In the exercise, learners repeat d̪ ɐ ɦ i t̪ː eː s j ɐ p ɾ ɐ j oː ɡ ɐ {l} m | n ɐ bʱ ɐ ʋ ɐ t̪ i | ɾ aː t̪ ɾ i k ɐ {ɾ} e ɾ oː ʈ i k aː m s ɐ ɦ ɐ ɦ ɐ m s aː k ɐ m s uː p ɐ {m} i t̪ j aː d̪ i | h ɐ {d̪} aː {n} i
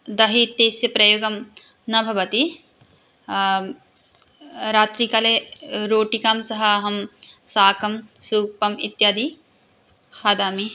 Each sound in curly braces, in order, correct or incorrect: incorrect: none, incorrect: l, correct, correct, incorrect: m

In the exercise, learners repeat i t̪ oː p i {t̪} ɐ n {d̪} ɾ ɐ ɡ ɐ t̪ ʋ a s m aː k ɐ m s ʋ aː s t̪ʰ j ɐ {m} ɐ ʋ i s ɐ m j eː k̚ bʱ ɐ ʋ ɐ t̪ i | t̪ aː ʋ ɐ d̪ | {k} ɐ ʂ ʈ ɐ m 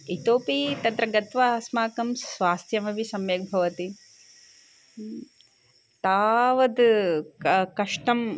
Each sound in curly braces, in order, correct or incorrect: correct, incorrect: t̪, correct, correct

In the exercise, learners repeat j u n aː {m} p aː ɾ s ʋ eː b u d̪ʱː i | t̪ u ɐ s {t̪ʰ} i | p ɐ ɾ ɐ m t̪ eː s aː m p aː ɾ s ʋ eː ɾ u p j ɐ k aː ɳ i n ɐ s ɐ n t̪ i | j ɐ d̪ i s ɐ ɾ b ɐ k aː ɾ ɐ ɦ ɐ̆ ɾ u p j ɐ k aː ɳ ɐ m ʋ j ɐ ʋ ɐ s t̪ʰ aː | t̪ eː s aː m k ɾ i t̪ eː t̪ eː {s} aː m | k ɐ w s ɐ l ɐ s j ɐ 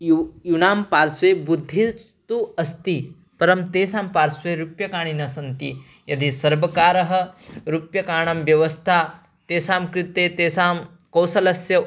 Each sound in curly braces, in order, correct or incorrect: correct, incorrect: t̪, correct

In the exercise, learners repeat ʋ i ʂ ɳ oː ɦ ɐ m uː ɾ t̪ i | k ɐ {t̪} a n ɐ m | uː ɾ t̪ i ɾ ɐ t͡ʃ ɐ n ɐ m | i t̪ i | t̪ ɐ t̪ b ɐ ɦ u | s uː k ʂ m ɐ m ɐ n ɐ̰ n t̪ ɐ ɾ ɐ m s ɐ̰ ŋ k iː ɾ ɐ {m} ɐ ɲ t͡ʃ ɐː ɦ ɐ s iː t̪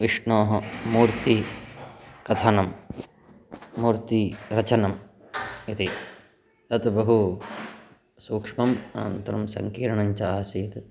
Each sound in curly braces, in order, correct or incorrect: incorrect: t̪ʰ, incorrect: ɳ

